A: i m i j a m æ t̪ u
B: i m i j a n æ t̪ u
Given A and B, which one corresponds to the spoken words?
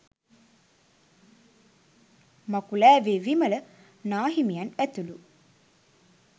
B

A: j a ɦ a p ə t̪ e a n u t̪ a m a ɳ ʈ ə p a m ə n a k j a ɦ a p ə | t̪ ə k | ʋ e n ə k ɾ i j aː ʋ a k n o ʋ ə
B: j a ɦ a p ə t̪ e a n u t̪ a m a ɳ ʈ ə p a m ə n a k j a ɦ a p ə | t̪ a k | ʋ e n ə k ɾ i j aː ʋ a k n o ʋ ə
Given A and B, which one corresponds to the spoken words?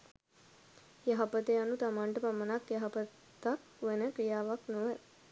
B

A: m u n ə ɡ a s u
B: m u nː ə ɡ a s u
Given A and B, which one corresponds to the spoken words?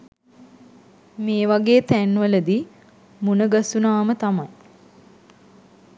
A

